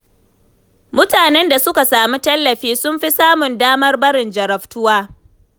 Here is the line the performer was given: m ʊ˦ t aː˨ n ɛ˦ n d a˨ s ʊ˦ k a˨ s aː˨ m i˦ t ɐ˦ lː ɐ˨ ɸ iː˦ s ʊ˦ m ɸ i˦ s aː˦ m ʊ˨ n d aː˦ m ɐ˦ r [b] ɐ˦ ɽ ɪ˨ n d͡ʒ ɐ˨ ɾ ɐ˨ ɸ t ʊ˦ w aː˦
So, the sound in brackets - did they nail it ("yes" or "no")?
yes